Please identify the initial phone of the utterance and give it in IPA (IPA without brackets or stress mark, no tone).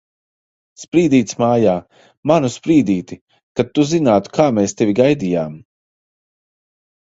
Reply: s